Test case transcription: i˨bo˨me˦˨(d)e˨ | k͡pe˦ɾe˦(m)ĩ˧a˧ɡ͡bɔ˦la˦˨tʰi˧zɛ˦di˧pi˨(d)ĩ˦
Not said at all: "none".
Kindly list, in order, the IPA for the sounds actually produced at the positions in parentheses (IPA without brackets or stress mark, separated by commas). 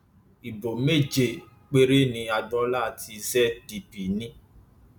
d͡ʒ, n, n